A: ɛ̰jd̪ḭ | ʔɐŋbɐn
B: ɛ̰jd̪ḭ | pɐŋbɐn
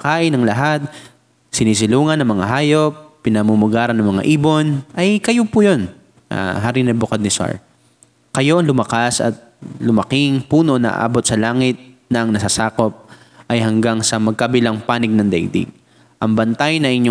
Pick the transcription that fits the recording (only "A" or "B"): A